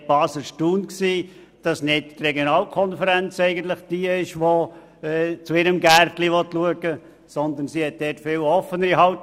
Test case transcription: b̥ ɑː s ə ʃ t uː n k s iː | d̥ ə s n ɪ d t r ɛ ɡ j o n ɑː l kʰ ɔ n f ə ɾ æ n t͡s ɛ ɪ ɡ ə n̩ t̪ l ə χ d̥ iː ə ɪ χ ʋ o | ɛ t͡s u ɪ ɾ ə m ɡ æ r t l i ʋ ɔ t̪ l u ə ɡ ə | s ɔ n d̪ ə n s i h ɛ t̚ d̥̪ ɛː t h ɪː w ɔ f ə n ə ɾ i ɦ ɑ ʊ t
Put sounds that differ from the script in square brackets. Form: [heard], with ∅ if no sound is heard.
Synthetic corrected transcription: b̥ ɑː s ə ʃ t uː n k s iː | d̥ [ɑ] s n ɪ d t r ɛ ɡ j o n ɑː l kʰ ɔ n f ə ɾ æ n t͡s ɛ ɪ ɡ ə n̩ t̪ l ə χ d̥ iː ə ɪ [ʃ] ʋ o | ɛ t͡s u ɪ ɾ ə m ɡ æ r t l i ʋ ɔ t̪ l u ə ɡ ə | s ɔ n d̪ ə n s i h ɛ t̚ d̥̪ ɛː t [f] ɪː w ɔ f ə n ə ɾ i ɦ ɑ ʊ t

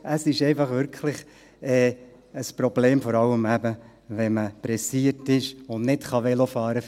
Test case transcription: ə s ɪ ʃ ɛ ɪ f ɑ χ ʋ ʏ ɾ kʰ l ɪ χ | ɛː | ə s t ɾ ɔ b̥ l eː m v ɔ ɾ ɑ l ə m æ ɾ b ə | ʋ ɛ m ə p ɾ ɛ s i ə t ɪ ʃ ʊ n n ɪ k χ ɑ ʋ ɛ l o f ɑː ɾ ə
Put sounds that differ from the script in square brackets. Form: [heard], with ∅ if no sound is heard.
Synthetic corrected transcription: ə s ɪ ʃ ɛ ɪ f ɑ χ ʋ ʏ ɾ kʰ l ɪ χ | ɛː | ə s [p] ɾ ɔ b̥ l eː m [f] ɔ ɾ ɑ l ə m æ [∅] b ə | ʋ ɛ m ə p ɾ ɛ s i ə t ɪ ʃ ʊ n n ɪ [t] χ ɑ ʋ ɛ l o f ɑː ɾ ə

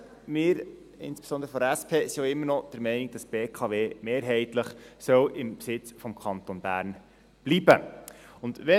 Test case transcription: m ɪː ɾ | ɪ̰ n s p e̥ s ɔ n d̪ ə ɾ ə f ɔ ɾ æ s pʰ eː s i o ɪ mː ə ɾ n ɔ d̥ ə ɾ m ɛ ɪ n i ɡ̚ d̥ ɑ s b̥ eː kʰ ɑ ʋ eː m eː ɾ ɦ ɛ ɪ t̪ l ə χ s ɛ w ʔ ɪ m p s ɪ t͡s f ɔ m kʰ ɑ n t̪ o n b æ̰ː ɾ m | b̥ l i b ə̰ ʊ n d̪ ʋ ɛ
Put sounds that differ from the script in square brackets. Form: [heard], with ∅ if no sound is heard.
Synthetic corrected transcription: m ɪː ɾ | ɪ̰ n s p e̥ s ɔ n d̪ ə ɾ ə f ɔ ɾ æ s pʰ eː s i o ɪ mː ə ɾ n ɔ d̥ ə ɾ m ɛ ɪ n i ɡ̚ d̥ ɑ s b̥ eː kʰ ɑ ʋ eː m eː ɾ ɦ ɛ ɪ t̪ l ə χ s [œ] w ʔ ɪ m p s ɪ t͡s f ɔ m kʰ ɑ n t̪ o n b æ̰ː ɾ [n] | b̥ l i b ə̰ ʊ n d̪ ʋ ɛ

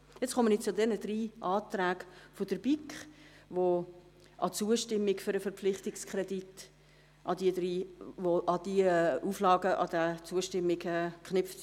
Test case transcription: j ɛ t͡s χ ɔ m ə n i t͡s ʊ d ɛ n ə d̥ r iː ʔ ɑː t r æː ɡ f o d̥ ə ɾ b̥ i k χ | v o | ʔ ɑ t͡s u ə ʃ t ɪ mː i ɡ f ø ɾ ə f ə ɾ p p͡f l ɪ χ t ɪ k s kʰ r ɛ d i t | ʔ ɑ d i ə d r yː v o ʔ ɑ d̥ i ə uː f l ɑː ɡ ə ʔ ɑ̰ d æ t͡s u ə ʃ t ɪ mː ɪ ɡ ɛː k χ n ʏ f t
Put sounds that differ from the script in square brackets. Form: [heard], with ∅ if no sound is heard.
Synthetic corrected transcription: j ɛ t͡s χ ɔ m ə n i t͡s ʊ d ɛ n ə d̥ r iː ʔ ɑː t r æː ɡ f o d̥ ə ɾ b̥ i k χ | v o | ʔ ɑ t͡s u ə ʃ t ɪ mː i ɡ f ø ɾ ə f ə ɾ p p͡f l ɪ χ t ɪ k s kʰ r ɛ d i t | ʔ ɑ d i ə d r [iː] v o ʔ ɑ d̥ i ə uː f l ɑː ɡ ə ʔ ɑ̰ d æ t͡s u ə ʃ t ɪ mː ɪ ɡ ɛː k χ n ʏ f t

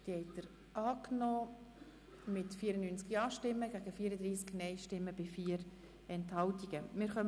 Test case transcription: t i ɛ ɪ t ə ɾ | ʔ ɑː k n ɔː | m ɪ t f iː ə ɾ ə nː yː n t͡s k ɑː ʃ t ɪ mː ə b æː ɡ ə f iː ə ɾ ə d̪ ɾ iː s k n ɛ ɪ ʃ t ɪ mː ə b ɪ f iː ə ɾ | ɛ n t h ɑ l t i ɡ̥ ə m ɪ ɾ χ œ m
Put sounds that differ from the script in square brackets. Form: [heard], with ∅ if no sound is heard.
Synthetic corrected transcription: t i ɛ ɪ t ə ɾ | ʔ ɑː k n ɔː | m ɪ t f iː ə ɾ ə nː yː n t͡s k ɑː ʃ t ɪ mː ə [ɡ] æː ɡ ə f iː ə ɾ ə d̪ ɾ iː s k n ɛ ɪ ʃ t ɪ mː ə b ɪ f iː ə ɾ | ɛ n t h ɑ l t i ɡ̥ ə m ɪ ɾ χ œ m

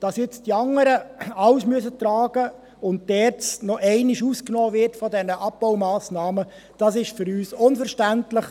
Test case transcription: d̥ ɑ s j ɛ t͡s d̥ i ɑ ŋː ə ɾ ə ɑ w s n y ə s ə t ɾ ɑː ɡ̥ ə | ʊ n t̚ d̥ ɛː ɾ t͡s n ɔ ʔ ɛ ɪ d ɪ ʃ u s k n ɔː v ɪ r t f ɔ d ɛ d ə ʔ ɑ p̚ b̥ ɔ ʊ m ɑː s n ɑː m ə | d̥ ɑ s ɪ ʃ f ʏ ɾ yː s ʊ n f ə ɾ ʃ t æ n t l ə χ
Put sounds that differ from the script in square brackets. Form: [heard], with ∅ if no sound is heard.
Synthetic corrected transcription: d̥ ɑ s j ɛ t͡s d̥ i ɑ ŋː ə ɾ ə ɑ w s [m] y ə s ə t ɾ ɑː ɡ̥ ə | ʊ n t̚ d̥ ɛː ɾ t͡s n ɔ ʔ ɛ ɪ [n] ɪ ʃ u s k n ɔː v ɪ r t f ɔ d ɛ [n] ə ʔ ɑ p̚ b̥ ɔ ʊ m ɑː s n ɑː m ə | d̥ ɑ s ɪ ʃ f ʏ ɾ yː s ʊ n f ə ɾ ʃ t æ n t l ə χ

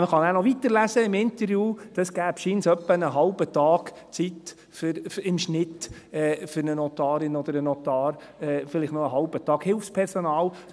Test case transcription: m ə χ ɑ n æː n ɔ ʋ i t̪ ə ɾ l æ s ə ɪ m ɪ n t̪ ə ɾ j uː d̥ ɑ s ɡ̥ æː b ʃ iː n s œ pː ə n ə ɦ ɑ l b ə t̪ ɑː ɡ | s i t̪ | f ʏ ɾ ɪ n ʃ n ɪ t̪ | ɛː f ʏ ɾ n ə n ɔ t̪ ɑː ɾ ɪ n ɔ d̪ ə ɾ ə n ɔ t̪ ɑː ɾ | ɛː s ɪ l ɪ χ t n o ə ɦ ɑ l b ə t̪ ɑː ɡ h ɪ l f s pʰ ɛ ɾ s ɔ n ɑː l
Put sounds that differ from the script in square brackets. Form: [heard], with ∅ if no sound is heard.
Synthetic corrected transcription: m ə χ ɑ n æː n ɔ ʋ i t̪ ə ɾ l æ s ə ɪ m ɪ n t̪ ə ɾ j uː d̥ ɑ s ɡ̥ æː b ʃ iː n s œ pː ə n ə ɦ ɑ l b ə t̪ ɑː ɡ | [t͡s] i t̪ | f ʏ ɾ ɪ [m] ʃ n ɪ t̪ | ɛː f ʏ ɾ n ə n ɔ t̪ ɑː ɾ ɪ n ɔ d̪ ə ɾ ə n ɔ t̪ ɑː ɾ | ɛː [f] ɪ l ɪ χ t n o ə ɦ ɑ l b ə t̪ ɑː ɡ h ɪ l f s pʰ ɛ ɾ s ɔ n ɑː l

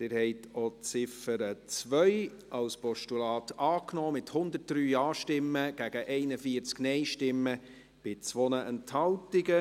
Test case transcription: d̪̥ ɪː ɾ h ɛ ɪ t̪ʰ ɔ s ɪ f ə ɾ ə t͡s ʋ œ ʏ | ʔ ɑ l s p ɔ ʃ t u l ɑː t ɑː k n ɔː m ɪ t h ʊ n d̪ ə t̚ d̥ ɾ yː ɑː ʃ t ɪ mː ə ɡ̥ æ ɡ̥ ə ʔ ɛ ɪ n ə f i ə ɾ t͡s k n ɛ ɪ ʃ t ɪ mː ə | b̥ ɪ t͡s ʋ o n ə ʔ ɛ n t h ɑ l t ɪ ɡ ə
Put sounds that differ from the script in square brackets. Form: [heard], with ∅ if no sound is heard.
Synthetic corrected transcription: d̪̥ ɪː ɾ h ɛ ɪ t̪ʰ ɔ [t͡s] ɪ f ə ɾ ə t͡s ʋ œ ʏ | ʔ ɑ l s p ɔ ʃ t u l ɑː t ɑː k n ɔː m ɪ t h ʊ n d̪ ə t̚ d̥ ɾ yː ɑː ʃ t ɪ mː ə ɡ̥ æ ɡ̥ ə ʔ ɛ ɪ n ə f i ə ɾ t͡s k n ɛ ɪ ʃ t ɪ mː ə | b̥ ɪ t͡s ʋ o n ə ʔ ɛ n t h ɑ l t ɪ ɡ ə

